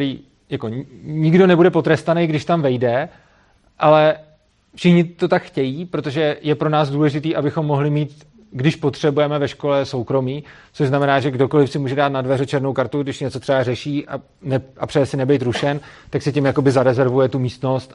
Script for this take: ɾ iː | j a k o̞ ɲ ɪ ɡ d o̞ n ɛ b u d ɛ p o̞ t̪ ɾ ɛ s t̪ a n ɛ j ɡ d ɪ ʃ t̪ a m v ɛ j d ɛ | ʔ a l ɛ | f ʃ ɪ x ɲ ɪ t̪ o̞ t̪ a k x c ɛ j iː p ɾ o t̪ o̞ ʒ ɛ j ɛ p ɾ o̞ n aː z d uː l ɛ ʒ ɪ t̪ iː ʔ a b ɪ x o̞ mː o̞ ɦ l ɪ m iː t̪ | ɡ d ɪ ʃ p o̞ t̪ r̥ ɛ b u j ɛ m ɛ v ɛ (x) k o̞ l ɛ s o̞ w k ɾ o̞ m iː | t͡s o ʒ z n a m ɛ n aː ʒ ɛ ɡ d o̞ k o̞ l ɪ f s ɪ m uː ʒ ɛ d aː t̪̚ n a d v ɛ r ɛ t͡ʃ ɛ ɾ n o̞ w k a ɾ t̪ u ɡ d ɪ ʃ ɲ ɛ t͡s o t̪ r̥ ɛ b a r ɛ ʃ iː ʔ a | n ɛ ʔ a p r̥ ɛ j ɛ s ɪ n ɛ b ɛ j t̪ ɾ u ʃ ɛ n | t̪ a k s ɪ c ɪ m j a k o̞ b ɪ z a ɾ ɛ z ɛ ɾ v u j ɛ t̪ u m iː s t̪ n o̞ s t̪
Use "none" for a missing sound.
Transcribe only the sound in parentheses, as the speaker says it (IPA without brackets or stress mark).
ʃ